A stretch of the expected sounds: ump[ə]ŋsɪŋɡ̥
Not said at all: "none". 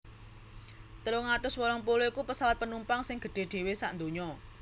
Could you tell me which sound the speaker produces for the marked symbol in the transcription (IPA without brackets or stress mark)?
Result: a